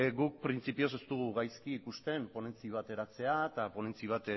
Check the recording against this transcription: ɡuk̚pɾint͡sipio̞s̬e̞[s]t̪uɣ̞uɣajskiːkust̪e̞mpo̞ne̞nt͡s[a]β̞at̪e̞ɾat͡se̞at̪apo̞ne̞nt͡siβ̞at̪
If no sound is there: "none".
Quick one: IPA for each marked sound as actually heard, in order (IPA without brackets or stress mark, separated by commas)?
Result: s, i